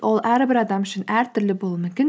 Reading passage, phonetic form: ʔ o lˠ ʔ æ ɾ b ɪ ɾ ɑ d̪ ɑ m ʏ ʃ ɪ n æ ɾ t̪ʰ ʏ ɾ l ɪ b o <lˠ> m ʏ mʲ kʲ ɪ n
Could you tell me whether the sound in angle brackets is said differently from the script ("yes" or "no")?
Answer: no